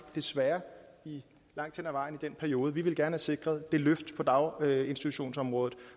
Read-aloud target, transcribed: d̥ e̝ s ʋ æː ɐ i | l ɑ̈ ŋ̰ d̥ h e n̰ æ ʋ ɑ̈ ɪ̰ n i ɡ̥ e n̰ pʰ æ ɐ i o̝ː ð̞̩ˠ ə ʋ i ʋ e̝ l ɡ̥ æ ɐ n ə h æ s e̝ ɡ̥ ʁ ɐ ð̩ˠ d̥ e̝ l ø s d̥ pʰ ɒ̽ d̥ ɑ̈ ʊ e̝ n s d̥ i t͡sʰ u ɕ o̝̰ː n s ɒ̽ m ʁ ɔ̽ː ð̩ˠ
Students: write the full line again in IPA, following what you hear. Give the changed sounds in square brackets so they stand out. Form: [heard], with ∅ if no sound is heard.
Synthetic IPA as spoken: d̥ e̝ s ʋ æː ɐ i | l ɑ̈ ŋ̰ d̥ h e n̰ æ ʋ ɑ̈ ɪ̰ n i [d̥] e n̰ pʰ æ ɐ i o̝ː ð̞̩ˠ ə ʋ i ʋ e̝ l ɡ̥ æ ɐ n ə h æ s e̝ ɡ̥ ʁ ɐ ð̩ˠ d̥ e̝ l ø [f] d̥ pʰ ɒ̽ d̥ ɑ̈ ʊ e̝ n s d̥ i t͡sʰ u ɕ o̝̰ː n s ɒ̽ m ʁ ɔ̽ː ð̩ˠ